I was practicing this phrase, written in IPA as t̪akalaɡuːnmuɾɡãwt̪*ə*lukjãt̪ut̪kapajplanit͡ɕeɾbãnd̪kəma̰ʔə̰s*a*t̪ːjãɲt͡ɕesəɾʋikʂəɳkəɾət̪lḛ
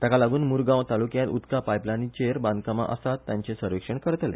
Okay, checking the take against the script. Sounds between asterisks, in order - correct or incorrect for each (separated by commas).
incorrect, correct